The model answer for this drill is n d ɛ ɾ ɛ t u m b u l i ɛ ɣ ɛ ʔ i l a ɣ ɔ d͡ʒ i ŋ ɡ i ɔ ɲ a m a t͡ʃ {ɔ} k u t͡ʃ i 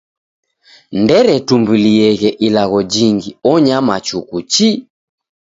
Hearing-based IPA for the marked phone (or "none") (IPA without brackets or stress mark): u